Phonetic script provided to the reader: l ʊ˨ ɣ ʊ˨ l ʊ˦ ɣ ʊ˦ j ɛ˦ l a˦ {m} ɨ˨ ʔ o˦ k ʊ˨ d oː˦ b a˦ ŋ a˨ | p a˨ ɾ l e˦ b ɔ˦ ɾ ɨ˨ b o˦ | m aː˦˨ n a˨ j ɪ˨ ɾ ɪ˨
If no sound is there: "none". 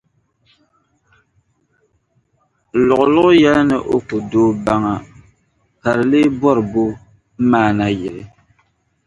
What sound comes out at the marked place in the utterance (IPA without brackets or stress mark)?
n